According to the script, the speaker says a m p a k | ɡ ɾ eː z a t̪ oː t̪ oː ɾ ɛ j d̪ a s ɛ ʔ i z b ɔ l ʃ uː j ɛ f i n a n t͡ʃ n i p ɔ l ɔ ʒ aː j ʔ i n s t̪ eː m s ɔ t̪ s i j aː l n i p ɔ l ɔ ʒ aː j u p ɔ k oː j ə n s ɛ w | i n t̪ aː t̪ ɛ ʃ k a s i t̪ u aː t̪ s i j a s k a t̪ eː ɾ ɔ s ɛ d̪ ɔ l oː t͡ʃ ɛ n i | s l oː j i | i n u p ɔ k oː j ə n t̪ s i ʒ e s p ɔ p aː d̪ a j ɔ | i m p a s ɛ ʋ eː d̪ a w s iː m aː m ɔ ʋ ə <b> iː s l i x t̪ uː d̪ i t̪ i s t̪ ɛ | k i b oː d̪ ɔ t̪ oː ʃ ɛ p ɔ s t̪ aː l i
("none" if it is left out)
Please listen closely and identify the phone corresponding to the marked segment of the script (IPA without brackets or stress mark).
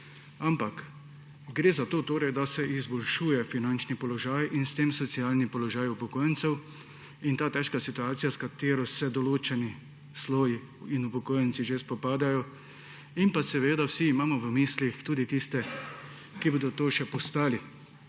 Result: m